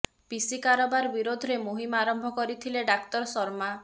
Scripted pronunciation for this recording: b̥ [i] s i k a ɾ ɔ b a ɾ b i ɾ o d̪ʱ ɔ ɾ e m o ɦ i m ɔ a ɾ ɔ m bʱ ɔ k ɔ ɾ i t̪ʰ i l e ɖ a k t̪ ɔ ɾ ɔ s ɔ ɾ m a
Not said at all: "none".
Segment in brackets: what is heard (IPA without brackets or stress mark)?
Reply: i